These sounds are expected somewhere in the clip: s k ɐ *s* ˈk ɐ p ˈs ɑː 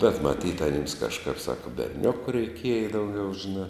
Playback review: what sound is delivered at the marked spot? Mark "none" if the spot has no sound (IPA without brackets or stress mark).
ʃ